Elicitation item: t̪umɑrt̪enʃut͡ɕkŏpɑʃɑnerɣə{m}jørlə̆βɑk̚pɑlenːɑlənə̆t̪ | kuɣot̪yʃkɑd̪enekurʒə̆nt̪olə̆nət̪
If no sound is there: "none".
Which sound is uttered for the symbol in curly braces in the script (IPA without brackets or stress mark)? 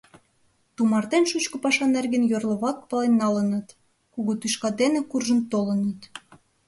n